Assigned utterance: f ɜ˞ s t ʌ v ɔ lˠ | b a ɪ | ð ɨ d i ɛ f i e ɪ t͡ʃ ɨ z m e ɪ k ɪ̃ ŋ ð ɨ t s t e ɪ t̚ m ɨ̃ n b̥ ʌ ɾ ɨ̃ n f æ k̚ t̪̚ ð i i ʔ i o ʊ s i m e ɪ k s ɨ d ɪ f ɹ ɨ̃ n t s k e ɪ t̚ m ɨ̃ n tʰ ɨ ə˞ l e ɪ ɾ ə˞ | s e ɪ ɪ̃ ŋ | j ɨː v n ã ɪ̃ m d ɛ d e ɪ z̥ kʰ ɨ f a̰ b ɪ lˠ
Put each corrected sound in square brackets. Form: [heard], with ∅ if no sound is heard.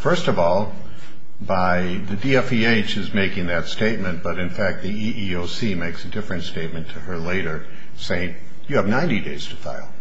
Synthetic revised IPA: f ɜ˞ s t ʌ v ɔ lˠ | b a ɪ | ð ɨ d i ɛ f i e ɪ t͡ʃ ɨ z m e ɪ k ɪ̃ ŋ ð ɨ t s t e ɪ t̚ m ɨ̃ n b̥ ʌ ɾ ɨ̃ n f æ k̚ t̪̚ ð i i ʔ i o ʊ s i m e ɪ k s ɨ d ɪ f ɹ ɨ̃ n t s [t] e ɪ t̚ m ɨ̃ n tʰ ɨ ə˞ l e ɪ ɾ ə˞ | s e ɪ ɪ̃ ŋ | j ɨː v n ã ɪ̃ [n] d [i] d e ɪ z̥ [tʰ] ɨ f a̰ [∅] ɪ lˠ